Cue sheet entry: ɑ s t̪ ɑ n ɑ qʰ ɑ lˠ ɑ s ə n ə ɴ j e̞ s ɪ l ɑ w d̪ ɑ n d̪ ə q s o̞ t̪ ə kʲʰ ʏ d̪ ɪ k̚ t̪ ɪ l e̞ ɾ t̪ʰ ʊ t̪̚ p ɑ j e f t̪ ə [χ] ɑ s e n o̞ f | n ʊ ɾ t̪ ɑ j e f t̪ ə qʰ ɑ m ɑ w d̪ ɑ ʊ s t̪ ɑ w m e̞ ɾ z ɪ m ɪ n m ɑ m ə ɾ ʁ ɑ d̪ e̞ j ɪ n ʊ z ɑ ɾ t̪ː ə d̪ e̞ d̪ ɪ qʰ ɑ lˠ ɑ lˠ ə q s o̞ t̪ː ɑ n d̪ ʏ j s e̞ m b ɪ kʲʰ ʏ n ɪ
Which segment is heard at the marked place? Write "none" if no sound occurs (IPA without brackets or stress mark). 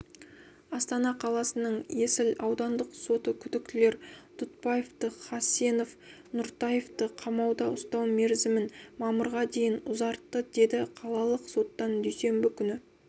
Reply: χ